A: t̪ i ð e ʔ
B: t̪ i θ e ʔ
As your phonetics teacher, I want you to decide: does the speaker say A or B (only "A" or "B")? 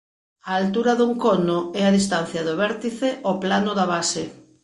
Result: B